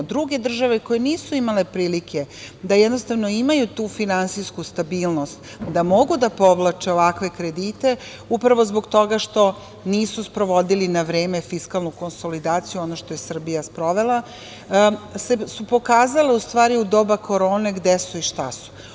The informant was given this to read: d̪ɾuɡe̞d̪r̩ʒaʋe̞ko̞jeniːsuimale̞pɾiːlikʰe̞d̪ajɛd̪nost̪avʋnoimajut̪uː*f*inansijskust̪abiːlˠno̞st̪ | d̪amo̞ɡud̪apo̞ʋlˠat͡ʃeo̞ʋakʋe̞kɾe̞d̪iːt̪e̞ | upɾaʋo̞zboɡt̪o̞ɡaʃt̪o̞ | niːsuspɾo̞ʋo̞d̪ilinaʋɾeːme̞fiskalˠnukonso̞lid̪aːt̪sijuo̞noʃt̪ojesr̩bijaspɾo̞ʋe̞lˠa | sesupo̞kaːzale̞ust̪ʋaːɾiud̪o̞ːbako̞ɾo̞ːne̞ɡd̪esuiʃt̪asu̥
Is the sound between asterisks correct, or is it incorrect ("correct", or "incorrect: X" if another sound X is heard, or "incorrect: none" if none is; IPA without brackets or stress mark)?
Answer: correct